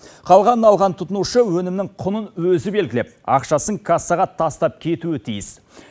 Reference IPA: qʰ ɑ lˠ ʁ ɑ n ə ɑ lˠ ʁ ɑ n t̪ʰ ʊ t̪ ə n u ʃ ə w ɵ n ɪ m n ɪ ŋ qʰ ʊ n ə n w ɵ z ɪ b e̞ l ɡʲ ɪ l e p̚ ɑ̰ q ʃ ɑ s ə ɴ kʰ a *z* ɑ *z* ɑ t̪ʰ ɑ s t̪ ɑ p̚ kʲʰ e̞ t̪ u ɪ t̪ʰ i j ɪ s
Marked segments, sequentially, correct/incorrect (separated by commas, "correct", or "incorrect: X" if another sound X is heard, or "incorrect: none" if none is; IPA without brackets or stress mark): incorrect: s, incorrect: ʁ